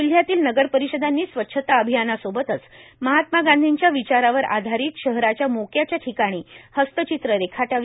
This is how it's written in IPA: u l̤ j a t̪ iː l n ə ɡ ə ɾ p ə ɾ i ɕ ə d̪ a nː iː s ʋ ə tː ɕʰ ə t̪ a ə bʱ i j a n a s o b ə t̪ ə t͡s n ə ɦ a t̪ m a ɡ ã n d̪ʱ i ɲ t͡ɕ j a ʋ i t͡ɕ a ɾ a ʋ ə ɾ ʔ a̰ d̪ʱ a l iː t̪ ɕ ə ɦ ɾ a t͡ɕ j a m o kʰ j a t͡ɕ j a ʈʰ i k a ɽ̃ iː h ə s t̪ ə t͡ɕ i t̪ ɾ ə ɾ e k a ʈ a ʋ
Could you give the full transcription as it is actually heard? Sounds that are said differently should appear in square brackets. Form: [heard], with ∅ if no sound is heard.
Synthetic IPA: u l̤ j a t̪ iː l n ə ɡ ə ɾ p ə ɾ i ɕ ə d̪ a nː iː s ʋ ə tː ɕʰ ə t̪ a ə bʱ i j a n a s o b ə t̪ ə t͡s [m] ə ɦ a t̪ m a ɡ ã n d̪ʱ i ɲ t͡ɕ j a ʋ i t͡ɕ a ɾ a ʋ ə ɾ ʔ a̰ d̪ʱ a [ɾ] iː t̪ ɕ ə ɦ ɾ a t͡ɕ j a m o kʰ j a t͡ɕ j a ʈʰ i k a ɽ̃ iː h ə s t̪ ə t͡ɕ i t̪ ɾ ə ɾ e [kʰ] a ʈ a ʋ